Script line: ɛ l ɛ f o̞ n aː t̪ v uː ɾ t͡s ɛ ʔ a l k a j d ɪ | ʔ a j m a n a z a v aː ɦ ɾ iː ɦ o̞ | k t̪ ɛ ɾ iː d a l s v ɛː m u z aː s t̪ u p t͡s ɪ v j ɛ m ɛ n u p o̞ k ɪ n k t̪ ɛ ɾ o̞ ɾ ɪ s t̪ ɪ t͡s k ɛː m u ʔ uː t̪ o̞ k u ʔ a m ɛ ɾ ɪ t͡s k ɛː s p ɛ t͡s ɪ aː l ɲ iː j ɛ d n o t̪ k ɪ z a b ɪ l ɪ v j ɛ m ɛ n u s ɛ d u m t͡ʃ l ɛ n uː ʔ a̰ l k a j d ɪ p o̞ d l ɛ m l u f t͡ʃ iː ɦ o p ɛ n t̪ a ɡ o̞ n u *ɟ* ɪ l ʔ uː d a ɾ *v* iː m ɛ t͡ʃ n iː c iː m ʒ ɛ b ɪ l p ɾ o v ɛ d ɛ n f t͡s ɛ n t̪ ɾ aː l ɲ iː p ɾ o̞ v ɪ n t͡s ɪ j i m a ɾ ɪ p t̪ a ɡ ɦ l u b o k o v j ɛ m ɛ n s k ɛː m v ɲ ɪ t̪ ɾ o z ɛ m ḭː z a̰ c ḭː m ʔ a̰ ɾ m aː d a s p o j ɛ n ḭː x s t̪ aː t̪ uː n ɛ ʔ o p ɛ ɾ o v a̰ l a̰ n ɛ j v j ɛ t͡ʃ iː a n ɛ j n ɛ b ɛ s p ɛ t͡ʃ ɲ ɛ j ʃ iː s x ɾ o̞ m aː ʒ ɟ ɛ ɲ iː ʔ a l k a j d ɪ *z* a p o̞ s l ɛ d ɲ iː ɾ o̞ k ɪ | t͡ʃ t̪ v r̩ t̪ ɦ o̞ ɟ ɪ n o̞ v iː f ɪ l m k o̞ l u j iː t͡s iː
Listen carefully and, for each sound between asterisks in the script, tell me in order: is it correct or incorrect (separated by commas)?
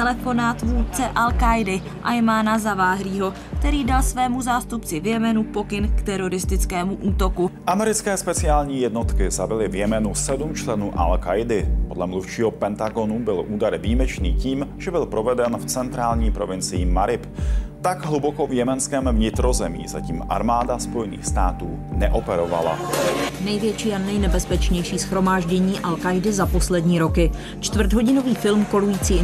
incorrect, correct, correct